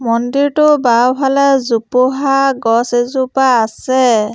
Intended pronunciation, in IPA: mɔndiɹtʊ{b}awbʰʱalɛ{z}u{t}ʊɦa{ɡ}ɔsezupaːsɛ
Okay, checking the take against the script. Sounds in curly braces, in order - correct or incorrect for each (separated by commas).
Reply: correct, correct, incorrect, correct